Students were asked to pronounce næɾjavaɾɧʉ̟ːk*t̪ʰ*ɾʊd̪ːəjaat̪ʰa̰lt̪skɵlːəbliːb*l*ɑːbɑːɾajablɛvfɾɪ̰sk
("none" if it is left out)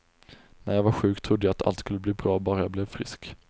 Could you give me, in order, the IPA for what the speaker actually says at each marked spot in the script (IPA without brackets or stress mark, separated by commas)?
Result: t̪ʰ, ɾ